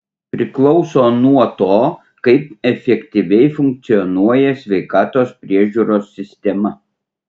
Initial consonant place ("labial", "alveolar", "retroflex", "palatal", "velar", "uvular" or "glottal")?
labial